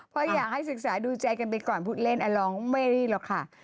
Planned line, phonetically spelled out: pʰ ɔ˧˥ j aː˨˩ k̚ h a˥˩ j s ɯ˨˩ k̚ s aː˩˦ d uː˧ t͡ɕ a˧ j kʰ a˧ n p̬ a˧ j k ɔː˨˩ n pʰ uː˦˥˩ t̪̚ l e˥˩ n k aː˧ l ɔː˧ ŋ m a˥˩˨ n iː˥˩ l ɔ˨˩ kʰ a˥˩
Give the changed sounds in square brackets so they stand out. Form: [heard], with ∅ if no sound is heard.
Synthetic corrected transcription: pʰ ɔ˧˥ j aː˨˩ k̚ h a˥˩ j s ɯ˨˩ k̚ s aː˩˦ d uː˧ t͡ɕ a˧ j [k] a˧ n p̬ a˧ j k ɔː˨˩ n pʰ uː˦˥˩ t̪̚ l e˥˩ n [ʔ] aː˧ l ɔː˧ ŋ m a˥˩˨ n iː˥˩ l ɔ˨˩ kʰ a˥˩